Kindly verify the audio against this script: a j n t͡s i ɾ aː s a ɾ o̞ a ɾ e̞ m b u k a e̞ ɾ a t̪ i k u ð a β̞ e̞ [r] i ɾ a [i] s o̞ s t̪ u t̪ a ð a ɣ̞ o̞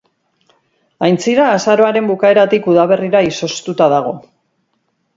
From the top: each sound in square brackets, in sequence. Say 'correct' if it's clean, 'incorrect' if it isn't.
correct, correct

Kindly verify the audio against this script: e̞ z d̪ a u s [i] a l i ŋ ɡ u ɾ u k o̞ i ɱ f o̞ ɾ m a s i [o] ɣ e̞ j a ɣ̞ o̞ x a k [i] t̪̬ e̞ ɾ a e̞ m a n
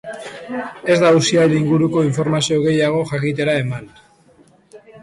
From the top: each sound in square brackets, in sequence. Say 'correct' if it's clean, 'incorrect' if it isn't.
correct, correct, correct

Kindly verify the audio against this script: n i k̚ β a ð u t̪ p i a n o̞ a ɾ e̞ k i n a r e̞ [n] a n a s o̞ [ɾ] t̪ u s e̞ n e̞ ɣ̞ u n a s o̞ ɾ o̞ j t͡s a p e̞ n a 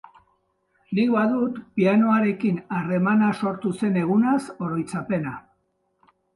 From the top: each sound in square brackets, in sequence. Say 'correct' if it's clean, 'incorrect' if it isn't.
incorrect: m, correct

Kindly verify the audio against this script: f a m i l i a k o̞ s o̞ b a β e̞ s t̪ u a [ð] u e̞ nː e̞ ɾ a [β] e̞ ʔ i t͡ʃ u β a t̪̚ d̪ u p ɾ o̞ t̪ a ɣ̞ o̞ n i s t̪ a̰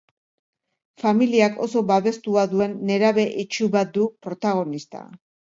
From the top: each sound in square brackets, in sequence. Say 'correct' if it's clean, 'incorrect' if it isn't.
correct, correct

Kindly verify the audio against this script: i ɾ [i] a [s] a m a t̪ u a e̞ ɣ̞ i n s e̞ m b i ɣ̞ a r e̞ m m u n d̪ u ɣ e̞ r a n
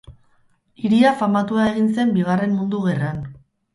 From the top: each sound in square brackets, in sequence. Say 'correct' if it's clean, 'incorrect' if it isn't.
correct, incorrect: f

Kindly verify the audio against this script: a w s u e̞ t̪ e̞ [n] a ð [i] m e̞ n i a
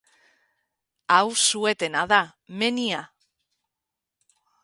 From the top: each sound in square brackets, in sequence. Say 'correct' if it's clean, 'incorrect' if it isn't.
correct, incorrect: a

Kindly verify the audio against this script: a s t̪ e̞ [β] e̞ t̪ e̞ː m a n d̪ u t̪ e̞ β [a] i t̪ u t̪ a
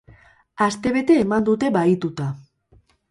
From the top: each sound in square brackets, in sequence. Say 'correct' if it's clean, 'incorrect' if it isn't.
correct, correct

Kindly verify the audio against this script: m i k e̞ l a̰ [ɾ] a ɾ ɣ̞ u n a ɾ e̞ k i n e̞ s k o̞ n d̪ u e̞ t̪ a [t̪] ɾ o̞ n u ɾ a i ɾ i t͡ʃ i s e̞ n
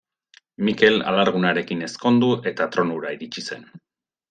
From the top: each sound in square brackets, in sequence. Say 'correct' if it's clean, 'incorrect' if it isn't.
incorrect: l, correct

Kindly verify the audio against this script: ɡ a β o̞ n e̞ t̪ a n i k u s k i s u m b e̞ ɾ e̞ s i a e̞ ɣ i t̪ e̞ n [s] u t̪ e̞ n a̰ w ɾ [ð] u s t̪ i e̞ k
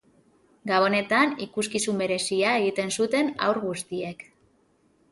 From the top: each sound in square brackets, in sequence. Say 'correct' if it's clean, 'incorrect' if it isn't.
correct, incorrect: ɣ

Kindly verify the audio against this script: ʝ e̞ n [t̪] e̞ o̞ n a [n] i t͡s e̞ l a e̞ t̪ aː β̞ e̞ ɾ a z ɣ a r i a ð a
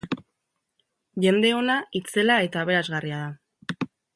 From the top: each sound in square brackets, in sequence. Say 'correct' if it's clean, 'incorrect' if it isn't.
incorrect: d̪, incorrect: none

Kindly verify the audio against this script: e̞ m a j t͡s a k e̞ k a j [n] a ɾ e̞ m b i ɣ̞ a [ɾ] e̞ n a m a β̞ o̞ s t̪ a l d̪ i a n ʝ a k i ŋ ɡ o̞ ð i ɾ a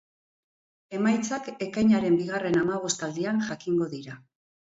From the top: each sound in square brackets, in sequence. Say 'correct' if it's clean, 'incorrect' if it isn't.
incorrect: ɲ, incorrect: r

